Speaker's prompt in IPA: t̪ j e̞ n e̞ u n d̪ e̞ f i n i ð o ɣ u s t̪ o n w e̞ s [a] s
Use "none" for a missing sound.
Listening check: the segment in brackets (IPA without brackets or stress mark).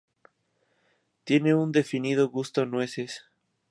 e